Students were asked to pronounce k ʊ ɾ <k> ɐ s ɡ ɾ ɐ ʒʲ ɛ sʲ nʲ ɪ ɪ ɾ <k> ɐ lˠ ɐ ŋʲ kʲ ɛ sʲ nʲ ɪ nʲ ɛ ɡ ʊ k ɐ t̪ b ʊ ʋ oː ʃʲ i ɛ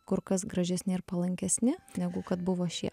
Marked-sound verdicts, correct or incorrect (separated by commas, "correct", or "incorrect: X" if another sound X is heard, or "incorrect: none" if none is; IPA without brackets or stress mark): correct, incorrect: p